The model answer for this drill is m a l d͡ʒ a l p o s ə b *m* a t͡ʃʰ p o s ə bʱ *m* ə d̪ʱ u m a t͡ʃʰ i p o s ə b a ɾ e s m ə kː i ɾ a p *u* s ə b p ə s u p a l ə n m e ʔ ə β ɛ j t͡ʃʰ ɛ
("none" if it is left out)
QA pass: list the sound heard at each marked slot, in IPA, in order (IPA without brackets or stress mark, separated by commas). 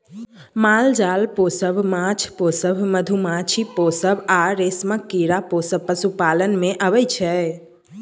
m, m, o